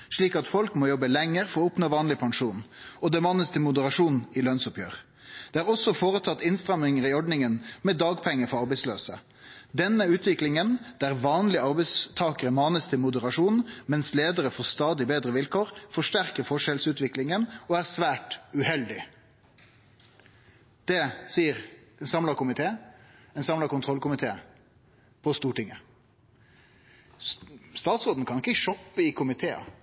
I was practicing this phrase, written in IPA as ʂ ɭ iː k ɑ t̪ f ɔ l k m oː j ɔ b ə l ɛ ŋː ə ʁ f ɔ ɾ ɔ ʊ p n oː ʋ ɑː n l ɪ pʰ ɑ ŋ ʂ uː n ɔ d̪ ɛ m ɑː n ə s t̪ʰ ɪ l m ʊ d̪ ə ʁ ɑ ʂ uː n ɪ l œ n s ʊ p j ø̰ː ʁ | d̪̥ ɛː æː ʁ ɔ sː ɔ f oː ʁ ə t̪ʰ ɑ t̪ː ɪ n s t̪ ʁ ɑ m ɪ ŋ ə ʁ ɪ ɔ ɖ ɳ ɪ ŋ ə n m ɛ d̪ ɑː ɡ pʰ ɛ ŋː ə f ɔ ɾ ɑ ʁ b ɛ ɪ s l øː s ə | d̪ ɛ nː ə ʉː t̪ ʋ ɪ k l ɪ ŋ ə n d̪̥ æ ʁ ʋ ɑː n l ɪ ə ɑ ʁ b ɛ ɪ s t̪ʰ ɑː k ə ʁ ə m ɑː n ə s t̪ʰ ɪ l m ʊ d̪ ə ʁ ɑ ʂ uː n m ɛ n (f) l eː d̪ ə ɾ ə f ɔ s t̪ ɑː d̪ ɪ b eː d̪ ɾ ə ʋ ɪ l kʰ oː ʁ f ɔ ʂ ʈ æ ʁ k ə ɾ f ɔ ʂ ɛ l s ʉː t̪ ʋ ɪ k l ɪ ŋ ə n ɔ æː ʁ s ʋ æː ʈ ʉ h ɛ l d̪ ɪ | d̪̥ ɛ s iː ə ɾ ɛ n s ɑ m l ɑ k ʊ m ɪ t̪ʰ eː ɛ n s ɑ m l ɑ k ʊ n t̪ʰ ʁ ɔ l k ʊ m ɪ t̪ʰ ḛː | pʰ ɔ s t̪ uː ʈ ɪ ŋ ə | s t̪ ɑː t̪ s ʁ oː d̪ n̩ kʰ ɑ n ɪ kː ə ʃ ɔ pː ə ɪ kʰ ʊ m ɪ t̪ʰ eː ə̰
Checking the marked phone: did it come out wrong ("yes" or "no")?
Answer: yes